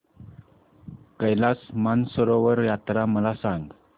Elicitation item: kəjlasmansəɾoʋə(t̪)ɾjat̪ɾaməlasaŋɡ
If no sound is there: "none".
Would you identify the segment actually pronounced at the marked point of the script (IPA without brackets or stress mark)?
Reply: none